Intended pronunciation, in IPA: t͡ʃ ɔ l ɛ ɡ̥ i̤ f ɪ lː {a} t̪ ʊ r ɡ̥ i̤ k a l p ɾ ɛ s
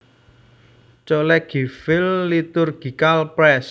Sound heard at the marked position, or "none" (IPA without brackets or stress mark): i